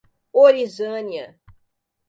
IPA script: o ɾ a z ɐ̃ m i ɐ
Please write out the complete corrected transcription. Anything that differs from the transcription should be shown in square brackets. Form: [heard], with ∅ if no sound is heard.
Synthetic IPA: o ɾ [i] z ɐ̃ [n] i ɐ